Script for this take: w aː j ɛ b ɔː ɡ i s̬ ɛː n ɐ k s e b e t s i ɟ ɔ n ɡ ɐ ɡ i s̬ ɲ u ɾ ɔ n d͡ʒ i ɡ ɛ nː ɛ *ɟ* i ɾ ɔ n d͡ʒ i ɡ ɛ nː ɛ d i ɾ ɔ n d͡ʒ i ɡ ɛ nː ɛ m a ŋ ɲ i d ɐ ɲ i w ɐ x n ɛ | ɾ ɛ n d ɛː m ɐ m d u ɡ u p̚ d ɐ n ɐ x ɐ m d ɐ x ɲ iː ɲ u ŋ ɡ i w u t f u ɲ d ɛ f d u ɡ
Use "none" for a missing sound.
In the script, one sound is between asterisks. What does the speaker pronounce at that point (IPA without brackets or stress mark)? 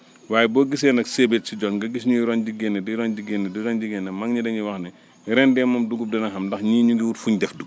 d